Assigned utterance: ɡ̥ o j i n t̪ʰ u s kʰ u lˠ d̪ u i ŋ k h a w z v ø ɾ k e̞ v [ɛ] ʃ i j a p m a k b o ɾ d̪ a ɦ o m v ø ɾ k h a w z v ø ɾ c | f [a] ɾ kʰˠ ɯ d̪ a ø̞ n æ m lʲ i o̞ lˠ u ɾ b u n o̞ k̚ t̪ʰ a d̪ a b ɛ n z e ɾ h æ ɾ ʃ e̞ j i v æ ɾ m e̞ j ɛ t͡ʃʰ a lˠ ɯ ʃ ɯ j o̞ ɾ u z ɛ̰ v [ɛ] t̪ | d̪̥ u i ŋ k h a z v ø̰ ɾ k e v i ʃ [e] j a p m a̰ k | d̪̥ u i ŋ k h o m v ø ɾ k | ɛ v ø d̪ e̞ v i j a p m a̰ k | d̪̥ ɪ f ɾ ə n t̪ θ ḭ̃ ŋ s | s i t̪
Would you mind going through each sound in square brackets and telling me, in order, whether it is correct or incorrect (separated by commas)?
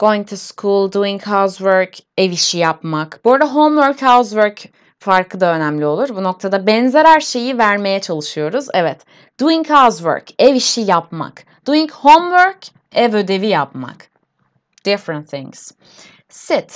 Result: incorrect, correct, correct, incorrect